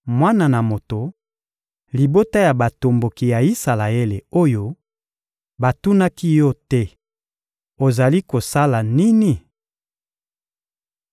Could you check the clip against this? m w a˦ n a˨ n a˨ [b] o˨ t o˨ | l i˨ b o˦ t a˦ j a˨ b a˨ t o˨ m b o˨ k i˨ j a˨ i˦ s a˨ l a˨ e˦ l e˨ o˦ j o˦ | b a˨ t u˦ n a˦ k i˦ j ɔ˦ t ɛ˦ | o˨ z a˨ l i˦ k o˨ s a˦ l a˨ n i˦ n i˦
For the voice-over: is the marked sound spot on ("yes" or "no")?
no